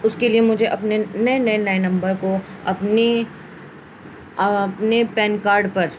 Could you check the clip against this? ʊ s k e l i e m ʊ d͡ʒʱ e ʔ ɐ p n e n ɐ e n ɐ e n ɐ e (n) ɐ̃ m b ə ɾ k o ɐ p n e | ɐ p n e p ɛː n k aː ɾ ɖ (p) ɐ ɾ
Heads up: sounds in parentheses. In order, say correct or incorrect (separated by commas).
correct, correct